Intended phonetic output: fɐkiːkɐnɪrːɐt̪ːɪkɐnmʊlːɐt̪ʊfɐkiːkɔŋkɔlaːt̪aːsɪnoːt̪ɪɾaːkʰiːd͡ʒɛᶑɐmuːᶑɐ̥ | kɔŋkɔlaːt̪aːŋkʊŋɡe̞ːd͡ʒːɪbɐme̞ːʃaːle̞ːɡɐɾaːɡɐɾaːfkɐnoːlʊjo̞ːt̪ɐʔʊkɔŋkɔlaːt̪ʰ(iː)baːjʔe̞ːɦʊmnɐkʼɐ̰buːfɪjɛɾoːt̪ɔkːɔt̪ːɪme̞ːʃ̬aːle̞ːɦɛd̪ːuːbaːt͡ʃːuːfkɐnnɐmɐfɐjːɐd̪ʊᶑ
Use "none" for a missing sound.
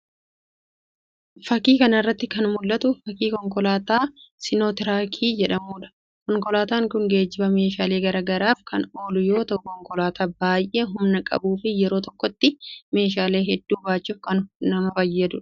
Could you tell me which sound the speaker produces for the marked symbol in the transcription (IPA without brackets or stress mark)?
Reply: aː